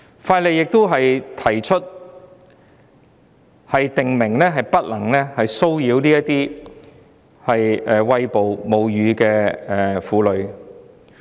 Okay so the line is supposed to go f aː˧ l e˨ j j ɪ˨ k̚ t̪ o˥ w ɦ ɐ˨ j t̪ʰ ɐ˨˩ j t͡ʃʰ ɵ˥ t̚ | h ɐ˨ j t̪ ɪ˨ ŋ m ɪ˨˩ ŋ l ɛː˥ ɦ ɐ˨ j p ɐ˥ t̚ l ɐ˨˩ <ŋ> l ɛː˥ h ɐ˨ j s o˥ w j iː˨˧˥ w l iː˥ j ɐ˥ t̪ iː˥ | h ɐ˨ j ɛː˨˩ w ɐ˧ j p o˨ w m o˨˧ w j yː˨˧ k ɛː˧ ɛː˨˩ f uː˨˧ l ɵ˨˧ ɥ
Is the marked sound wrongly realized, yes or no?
no